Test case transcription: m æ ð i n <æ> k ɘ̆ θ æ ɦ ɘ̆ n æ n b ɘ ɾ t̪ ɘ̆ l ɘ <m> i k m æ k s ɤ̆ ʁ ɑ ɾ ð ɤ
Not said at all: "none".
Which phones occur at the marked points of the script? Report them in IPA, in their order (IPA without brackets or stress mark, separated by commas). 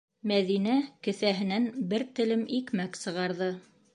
æ, m